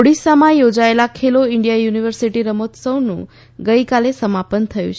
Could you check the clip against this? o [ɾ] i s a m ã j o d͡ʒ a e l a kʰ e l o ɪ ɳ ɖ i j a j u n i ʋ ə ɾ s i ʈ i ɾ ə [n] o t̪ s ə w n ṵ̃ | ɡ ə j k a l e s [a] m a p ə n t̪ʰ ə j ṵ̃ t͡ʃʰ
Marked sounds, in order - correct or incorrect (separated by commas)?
incorrect, incorrect, incorrect